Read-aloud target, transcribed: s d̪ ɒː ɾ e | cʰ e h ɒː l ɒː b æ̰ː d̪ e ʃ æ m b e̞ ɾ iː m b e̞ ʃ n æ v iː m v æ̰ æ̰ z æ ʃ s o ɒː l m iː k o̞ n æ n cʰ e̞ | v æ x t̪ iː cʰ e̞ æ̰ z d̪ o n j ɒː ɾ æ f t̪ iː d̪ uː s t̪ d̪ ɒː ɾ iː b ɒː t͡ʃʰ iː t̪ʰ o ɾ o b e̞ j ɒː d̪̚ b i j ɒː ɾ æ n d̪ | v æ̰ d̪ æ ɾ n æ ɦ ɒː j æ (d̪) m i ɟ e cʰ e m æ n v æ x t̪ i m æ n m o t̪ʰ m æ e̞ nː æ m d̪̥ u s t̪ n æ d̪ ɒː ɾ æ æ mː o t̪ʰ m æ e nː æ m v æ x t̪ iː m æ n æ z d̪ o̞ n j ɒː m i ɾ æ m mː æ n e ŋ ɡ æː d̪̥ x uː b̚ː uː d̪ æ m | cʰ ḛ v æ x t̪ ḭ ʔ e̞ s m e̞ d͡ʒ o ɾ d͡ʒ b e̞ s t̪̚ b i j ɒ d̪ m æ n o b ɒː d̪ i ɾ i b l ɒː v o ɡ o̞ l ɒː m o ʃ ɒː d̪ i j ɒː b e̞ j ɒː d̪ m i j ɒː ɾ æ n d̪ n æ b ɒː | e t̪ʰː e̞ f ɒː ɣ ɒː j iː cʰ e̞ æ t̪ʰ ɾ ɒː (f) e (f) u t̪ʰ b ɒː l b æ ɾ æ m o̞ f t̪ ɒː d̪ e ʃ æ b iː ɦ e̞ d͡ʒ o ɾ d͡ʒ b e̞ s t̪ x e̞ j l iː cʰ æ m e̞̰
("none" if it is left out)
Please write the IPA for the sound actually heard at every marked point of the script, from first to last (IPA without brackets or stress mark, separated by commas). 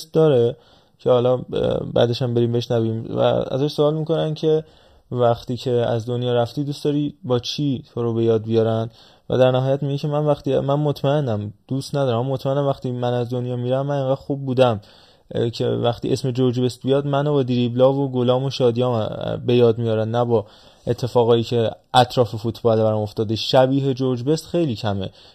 t̪, f, f